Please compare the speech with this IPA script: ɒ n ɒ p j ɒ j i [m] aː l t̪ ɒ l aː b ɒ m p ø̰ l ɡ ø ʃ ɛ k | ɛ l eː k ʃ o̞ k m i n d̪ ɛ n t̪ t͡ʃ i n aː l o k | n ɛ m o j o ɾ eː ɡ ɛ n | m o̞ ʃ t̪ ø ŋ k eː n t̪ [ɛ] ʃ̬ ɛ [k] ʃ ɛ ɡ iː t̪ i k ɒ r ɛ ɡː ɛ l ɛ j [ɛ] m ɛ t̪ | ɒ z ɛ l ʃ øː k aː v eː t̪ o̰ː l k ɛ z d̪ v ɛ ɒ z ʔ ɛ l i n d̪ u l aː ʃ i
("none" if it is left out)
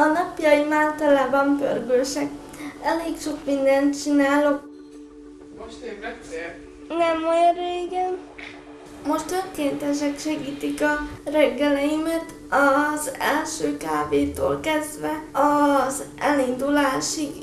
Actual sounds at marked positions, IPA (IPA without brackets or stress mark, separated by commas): m, ɛ, k, i